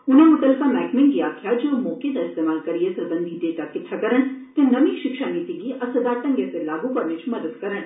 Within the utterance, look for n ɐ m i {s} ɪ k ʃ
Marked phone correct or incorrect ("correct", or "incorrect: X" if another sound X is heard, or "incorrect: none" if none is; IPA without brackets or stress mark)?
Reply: incorrect: ʃ